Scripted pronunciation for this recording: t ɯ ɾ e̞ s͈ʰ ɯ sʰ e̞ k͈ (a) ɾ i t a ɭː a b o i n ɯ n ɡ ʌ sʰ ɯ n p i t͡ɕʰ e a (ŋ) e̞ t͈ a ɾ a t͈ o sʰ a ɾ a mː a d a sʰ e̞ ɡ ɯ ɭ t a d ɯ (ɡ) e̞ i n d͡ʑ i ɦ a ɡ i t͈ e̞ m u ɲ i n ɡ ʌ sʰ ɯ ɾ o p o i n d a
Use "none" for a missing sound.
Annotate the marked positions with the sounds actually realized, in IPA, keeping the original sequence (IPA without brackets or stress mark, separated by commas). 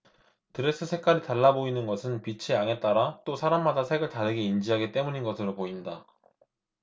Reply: a, ŋ, ɡ